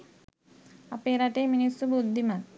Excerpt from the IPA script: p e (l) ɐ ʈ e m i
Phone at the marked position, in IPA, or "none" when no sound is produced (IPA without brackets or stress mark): ɾ